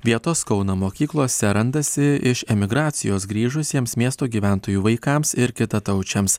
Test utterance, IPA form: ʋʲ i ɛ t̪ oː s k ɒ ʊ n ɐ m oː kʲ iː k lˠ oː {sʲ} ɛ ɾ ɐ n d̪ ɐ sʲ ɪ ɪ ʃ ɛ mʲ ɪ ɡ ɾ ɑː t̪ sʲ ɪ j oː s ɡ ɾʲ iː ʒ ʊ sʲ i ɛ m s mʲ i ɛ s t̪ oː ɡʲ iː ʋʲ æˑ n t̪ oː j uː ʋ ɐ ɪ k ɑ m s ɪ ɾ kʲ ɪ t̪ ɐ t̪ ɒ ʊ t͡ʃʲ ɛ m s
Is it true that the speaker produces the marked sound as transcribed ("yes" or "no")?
yes